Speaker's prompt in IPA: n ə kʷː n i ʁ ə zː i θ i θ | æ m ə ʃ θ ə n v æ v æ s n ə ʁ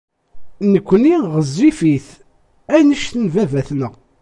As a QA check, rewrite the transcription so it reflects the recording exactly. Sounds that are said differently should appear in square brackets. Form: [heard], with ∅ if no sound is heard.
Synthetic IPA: n ə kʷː n i ʁ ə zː i [f] i θ | æ [n] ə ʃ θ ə n v æ v æ [θ] n ə ʁ

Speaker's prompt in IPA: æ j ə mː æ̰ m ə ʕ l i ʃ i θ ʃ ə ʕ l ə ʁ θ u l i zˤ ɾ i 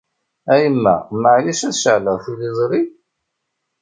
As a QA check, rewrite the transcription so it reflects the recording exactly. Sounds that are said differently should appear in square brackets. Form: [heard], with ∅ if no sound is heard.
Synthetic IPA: æ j ə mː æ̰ m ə ʕ l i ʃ [æ] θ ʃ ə ʕ l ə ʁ θ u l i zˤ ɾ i

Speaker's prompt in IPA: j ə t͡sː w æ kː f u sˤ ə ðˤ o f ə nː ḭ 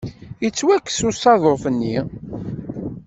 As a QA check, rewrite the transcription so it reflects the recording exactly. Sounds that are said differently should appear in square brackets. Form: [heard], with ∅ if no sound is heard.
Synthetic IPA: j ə t͡sː w æ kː [s] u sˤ [ɑ] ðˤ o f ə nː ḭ

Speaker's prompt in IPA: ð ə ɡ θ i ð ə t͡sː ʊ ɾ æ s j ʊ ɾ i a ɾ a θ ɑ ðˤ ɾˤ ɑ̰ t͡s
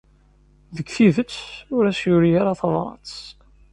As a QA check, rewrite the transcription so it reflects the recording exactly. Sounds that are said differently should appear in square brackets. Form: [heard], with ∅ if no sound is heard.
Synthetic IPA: ð ə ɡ θ i ð ə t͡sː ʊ ɾ æ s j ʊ ɾ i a ɾ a θ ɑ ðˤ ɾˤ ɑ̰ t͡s

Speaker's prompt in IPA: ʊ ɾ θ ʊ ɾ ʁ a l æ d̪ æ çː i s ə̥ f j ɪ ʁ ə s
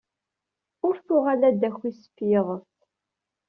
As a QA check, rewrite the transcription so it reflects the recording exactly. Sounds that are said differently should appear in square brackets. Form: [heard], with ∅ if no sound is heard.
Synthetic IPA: ʊ ɾ θ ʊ [∅] ʁ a l æ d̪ æ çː i s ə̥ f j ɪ ʁ ə [θ]

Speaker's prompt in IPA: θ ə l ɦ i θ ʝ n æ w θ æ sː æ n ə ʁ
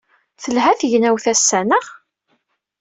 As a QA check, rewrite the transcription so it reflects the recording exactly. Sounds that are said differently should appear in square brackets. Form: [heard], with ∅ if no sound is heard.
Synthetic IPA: θ ə l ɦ [æ] θ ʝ n æ w θ æ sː æ n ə ʁ

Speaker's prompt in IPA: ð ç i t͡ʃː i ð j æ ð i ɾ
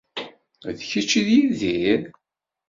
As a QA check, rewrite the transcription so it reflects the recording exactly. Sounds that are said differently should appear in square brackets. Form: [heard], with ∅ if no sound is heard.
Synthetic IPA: ð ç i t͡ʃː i ð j [i] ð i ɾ

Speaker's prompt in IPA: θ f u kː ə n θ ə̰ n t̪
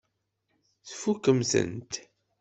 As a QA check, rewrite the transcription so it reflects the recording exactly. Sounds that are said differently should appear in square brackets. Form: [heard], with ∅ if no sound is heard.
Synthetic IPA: θ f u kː ə [m] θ ə̰ n t̪

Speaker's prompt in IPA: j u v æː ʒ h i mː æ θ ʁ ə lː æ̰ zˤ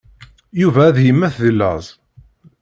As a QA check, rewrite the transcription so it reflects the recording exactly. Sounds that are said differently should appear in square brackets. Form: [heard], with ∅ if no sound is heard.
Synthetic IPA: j u v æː [ð] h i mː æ θ [ð] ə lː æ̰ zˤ

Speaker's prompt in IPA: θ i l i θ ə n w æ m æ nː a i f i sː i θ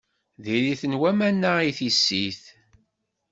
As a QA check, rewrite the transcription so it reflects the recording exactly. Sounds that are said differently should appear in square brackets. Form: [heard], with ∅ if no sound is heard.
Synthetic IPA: [ð] i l i θ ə n w æ m æ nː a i [θ] i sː i θ

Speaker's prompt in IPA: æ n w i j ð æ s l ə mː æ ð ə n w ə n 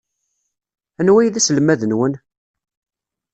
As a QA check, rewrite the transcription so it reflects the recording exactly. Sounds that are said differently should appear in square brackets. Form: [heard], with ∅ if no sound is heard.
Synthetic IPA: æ n w [æ] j ð æ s l ə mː æ ð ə n w ə n

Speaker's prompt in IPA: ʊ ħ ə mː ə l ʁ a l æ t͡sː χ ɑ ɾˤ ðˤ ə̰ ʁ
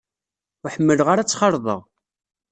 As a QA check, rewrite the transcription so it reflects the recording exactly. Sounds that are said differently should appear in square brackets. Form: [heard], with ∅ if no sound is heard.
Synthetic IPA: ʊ ħ ə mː ə l ʁ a [ɾ] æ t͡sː χ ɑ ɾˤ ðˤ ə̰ ʁ

